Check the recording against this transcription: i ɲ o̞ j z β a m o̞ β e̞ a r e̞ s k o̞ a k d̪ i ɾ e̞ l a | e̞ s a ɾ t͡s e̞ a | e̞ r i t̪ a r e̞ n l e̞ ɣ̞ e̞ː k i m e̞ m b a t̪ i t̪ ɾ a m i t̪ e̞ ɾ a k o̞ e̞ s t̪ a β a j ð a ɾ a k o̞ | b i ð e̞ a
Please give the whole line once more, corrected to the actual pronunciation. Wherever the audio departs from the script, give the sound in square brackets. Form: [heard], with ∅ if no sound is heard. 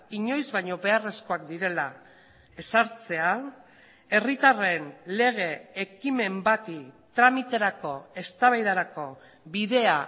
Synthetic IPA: i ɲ o̞ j z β a [ɲ] o̞ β e̞ a r e̞ s k o̞ a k d̪ i ɾ e̞ l a | e̞ s a ɾ t͡s e̞ a | e̞ r i t̪ a r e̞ n l e̞ ɣ̞ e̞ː k i m e̞ m b a t̪ i t̪ ɾ a m i t̪ e̞ ɾ a k o̞ e̞ s t̪ a β a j ð a ɾ a k o̞ | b i ð e̞ a